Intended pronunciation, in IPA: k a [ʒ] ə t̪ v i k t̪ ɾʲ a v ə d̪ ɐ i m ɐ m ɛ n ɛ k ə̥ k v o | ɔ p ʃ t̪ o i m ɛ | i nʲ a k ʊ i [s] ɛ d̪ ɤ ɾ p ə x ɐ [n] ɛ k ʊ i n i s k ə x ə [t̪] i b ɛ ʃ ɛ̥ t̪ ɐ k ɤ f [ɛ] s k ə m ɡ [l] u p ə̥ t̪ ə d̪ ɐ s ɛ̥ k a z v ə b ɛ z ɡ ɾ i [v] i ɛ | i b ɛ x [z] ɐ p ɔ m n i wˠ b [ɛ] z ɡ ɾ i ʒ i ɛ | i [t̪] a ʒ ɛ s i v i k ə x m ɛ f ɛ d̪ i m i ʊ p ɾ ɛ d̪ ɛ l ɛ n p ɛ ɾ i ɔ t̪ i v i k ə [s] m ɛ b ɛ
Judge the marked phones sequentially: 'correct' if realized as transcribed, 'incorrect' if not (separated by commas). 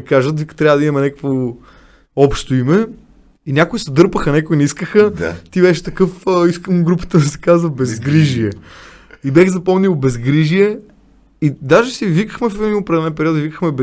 correct, correct, correct, correct, incorrect, incorrect, incorrect, correct, correct, incorrect, incorrect